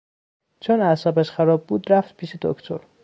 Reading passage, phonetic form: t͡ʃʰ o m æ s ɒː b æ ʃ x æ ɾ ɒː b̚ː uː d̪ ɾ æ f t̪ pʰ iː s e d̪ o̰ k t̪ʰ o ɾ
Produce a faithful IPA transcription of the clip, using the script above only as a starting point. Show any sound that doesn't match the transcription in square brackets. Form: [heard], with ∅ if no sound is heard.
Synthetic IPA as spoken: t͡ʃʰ o [n] æ s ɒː b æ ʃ x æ ɾ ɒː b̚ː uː d̪ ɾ æ f t̪ pʰ iː [ʃ] e d̪ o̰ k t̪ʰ o ɾ